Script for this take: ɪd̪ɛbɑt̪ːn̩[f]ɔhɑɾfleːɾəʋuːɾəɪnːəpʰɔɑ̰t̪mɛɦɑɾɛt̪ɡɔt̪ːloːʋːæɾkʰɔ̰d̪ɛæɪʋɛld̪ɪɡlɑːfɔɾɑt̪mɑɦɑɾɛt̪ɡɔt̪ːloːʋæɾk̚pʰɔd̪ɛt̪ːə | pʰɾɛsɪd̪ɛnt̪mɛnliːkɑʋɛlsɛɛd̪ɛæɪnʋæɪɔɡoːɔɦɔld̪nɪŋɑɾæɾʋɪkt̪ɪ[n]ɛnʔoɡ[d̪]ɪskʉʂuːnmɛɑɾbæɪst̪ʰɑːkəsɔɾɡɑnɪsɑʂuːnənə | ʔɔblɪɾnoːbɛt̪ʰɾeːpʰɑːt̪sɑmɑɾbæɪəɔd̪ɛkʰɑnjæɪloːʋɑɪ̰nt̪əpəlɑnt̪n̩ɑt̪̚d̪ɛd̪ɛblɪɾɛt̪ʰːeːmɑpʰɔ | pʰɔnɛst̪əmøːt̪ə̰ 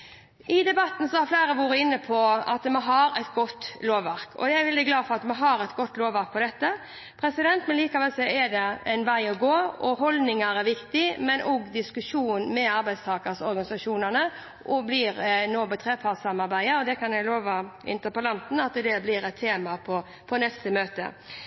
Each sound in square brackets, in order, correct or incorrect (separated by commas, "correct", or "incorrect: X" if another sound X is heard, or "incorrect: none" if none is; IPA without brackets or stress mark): incorrect: s, incorrect: m, correct